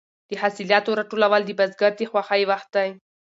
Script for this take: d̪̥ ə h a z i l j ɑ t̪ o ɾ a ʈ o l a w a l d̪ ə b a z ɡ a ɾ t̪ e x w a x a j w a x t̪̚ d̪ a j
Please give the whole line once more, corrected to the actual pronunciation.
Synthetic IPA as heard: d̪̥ ə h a s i l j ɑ t̪ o ɾ a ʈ o l a w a l d̪ ə b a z ɡ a ɾ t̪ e x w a x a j w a x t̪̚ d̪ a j